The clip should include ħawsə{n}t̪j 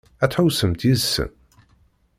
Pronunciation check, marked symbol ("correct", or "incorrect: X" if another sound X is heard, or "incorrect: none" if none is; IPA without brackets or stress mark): incorrect: m